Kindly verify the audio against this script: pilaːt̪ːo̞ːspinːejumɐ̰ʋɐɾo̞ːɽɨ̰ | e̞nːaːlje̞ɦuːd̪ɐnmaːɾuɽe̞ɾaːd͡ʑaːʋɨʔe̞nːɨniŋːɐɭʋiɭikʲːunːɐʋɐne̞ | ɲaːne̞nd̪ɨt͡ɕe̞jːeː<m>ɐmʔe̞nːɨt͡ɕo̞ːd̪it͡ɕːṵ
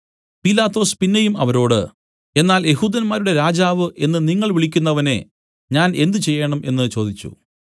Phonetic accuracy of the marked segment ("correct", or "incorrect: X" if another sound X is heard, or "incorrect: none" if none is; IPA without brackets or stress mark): incorrect: ɳ